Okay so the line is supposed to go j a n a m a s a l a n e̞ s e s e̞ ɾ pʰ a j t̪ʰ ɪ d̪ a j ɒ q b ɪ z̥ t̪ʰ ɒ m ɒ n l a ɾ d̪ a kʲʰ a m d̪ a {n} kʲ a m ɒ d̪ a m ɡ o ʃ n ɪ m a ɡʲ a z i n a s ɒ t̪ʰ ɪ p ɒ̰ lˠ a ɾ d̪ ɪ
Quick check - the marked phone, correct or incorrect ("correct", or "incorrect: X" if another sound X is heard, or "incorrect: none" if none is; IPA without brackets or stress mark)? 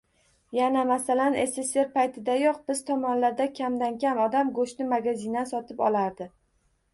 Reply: correct